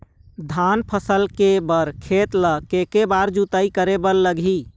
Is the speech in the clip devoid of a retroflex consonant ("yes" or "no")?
yes